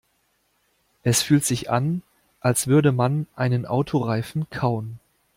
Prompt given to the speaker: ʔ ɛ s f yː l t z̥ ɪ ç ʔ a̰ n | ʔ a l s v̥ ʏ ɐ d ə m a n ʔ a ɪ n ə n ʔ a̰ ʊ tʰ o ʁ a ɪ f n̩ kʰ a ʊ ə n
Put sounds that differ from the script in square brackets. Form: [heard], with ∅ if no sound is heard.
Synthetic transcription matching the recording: ʔ ɛ s f yː l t z̥ ɪ ç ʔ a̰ n | ʔ a l s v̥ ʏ ɐ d ə m a n ʔ a ɪ n ə n ʔ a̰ ʊ tʰ o ʁ a ɪ f n̩ kʰ a ʊ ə n